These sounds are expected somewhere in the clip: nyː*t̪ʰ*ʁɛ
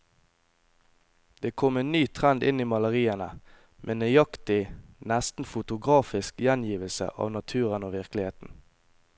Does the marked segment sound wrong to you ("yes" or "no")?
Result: no